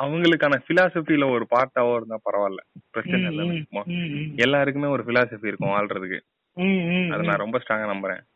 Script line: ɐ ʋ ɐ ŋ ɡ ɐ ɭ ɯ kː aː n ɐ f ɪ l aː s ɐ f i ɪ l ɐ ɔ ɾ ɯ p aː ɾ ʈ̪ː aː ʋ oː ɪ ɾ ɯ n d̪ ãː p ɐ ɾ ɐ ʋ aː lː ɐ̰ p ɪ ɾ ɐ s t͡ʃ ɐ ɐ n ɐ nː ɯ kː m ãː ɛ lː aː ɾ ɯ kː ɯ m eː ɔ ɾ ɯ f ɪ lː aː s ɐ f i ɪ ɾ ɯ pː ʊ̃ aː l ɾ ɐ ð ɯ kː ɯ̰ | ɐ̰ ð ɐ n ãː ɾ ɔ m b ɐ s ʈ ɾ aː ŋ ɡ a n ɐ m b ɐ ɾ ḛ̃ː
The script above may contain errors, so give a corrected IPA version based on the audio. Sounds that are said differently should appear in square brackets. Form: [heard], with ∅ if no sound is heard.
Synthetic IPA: ɐ ʋ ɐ ŋ ɡ ɐ ɭ ɯ kː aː n ɐ f ɪ l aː s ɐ f i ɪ l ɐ ɔ ɾ ɯ p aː ɾ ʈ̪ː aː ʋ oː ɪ ɾ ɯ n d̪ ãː p ɐ ɾ ɐ ʋ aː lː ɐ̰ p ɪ ɾ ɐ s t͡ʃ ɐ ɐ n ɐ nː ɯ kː m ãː ɛ lː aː ɾ ɯ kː ɯ m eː ɔ ɾ ɯ f ɪ [l] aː s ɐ f i ɪ ɾ ɯ [kː] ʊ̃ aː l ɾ ɐ ð ɯ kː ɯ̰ | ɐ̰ ð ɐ n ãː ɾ ɔ m b ɐ s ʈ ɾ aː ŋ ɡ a n ɐ m b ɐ ɾ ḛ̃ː